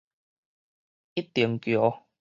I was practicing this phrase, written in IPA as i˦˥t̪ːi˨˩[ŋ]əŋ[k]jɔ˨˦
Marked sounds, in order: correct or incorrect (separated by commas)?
incorrect, correct